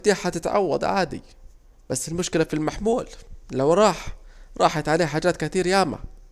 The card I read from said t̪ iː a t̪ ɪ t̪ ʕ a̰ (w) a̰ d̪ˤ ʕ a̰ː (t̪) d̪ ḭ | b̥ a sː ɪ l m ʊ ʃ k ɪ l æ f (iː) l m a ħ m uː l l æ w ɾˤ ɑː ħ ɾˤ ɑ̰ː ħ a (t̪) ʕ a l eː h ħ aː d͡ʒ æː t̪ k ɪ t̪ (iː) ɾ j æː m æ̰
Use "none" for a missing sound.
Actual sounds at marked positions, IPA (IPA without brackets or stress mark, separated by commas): wː, none, i, t̪, iː